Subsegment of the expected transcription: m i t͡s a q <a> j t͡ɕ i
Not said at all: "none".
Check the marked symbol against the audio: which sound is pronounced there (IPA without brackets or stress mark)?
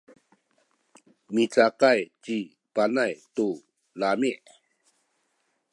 a